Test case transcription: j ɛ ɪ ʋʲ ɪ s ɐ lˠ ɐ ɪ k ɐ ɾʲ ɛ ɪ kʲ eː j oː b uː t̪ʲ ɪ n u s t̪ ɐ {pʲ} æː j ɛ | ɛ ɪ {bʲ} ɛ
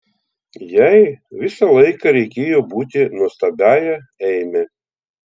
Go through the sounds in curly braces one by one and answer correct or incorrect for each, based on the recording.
incorrect: bʲ, incorrect: mʲ

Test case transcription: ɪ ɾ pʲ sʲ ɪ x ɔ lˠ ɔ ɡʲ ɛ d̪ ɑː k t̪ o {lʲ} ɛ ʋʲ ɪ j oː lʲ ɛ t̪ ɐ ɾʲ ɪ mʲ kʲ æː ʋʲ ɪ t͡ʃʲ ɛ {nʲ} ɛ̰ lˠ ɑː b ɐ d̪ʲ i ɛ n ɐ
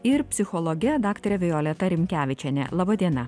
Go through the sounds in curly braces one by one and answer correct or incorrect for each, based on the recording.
incorrect: ɾʲ, correct

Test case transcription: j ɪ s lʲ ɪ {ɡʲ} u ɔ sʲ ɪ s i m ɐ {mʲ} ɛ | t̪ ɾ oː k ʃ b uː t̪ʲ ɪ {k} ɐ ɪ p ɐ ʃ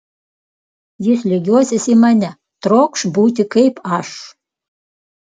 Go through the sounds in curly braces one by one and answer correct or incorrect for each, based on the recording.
correct, incorrect: nʲ, correct

